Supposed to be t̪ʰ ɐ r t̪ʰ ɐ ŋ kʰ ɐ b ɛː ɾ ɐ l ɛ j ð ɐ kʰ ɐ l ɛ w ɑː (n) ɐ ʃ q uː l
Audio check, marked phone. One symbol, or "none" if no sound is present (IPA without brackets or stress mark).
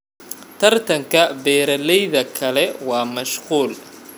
m